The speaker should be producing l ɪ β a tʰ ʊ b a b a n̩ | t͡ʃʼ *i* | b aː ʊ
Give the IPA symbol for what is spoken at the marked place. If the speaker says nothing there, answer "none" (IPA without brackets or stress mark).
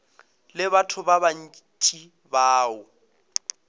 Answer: i